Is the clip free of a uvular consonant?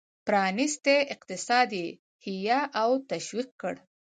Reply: no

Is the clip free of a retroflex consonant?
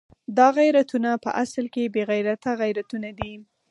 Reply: yes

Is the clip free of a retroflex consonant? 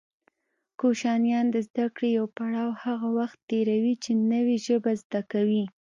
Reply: no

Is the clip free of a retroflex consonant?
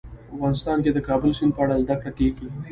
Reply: no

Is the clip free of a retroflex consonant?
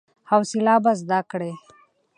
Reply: no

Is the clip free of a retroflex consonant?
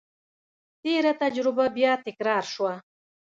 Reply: yes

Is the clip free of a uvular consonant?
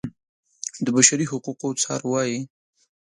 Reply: no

